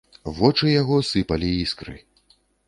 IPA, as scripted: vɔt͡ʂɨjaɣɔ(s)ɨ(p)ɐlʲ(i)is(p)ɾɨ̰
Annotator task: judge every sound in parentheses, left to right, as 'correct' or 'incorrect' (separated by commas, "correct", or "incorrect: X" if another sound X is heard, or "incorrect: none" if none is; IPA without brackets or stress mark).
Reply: correct, correct, correct, incorrect: k